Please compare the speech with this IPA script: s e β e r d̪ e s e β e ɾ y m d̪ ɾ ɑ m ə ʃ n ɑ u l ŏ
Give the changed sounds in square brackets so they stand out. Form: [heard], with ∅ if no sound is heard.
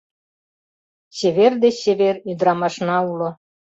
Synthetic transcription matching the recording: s e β e r d̪ e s e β e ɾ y [∅] d̪ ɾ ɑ m [ɑ] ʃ n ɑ u l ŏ